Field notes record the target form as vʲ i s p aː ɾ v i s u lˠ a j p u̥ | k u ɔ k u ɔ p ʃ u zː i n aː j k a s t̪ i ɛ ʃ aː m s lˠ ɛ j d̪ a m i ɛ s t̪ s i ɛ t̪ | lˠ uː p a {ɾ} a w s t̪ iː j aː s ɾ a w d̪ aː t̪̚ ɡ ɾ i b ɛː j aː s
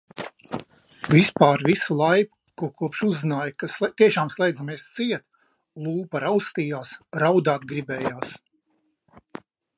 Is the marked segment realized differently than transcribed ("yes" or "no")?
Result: no